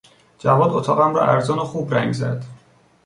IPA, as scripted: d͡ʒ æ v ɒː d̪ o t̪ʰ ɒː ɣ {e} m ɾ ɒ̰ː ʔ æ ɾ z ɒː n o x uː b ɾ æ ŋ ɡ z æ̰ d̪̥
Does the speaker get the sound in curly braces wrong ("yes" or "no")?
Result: yes